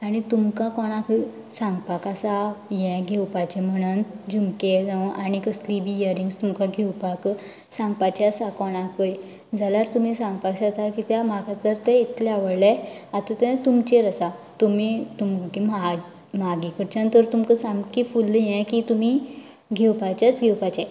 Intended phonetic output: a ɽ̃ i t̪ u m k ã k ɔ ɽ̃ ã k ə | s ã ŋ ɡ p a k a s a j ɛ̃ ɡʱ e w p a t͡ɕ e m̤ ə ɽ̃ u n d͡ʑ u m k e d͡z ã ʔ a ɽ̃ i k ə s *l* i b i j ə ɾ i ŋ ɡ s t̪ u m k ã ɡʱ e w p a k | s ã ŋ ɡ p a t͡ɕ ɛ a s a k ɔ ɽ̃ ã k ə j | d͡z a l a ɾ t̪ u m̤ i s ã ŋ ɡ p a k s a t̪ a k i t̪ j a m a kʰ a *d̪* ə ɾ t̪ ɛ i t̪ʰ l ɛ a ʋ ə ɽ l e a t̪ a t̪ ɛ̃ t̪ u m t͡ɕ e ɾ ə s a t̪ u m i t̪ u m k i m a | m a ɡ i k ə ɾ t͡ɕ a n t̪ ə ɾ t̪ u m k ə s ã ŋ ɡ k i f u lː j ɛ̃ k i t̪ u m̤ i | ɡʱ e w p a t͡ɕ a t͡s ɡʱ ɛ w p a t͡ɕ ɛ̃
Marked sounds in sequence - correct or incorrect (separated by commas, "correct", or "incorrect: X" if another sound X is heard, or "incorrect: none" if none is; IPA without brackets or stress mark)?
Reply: correct, incorrect: t̪